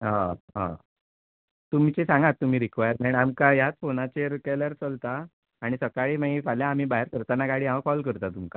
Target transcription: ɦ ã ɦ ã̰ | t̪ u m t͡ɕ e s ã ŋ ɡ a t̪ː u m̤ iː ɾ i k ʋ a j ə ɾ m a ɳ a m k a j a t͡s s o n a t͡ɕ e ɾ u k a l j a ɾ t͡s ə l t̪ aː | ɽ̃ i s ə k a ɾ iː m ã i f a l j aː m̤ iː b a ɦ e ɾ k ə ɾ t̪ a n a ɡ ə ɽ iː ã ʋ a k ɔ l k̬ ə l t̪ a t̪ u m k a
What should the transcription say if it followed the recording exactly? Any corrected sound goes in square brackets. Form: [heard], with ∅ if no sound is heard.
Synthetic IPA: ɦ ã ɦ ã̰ | t̪ u m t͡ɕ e s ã ŋ ɡ a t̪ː u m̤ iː ɾ i k ʋ a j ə ɾ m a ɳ a m k a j a t͡s [f] o n a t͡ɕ e ɾ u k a l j a ɾ t͡s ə l t̪ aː | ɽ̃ i s ə k a [ɭ] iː m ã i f a l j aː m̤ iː b a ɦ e ɾ k ə ɾ t̪ a n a ɡ [a] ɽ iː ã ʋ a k ɔ l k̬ ə [ɾ] t̪ a t̪ u m k a